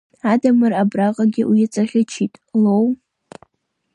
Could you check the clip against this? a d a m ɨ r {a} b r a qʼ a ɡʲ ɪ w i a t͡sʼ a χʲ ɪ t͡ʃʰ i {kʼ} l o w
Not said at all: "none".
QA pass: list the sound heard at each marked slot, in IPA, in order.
a, tʼ

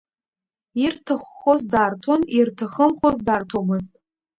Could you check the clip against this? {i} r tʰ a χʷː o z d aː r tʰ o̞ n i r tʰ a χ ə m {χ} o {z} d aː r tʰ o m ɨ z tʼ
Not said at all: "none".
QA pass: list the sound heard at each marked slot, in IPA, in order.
i, χ, z

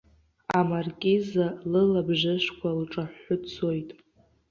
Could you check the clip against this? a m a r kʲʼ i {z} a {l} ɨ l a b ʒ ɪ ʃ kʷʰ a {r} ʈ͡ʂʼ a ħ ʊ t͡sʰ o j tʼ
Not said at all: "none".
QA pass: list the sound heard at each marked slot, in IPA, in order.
z, l, l

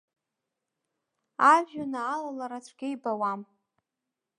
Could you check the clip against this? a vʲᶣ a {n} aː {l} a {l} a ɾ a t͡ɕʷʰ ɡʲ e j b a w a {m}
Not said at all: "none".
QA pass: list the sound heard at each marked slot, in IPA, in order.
n, l, l, m

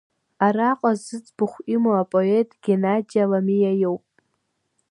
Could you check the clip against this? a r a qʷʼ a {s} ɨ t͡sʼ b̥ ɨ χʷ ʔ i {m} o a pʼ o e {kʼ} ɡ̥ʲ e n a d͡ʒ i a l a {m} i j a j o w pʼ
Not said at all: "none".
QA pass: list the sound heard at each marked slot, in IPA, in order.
z, m, tʼ, m

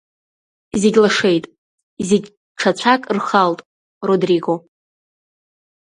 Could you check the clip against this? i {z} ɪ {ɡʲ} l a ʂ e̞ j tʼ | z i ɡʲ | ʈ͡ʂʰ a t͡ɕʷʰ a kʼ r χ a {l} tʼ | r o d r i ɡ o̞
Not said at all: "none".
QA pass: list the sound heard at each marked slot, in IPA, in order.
z, ɡʲ, l

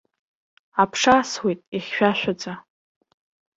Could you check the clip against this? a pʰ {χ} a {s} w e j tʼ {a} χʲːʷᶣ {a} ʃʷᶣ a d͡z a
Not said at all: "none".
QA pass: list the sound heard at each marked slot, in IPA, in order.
ʂ, s, i, a

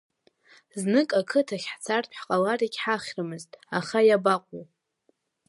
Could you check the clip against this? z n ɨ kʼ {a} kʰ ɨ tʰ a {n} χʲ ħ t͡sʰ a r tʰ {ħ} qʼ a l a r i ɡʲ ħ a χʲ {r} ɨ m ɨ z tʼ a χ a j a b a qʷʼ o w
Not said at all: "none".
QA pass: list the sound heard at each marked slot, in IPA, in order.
a, none, ħ, r

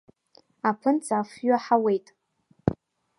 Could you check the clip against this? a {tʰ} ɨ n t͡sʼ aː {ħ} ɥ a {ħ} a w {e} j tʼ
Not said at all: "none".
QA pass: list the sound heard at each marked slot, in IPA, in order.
pʰ, f, ħ, e

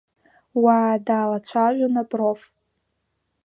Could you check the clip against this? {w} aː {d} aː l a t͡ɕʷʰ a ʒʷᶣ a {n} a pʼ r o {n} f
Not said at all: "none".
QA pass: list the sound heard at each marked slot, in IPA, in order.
w, d, n, none

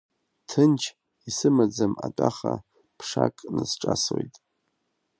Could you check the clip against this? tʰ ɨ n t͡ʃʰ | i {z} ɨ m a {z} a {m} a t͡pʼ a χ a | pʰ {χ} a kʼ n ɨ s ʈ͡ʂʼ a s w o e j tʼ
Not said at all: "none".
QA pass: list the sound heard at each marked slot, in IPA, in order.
s, d͡z, m, ʂ

